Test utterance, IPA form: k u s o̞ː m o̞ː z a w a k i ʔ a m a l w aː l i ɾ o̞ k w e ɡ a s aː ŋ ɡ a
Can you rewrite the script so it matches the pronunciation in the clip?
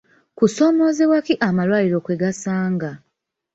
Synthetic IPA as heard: k u s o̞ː m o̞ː z e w a k i ʔ a m a l w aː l i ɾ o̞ k w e ɡ a s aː ŋ ɡ a